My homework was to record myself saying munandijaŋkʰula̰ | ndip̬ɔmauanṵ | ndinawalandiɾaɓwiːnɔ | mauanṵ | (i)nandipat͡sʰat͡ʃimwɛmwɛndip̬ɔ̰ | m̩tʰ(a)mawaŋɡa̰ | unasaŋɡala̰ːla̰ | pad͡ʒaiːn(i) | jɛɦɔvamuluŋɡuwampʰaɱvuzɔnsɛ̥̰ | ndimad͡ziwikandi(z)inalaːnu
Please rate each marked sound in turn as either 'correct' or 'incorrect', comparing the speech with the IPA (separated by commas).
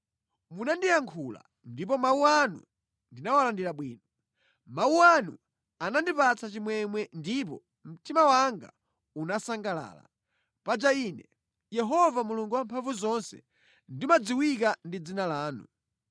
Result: incorrect, incorrect, incorrect, incorrect